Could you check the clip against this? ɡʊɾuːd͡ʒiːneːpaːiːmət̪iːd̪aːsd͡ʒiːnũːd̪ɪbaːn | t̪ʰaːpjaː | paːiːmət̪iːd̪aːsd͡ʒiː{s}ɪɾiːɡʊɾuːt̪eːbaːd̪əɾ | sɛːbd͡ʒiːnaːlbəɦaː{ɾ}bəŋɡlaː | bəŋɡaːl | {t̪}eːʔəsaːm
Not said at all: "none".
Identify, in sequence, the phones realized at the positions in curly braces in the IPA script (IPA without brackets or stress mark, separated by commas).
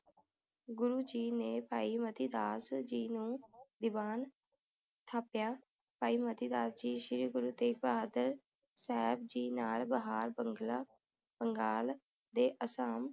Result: ʃ, ɾ, d̪